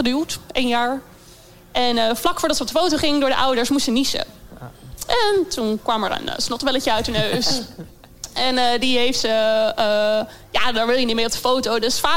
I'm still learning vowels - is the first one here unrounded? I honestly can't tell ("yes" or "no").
yes